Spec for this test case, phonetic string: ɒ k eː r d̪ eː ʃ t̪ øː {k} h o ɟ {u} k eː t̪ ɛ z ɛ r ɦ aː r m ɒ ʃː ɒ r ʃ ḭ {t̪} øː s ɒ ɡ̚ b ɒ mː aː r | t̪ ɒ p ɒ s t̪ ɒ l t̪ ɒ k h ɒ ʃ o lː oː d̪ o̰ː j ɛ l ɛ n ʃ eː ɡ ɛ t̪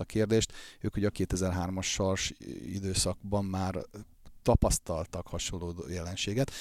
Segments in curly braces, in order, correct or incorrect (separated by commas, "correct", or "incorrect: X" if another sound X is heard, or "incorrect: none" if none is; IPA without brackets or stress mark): correct, incorrect: ɒ, incorrect: d̪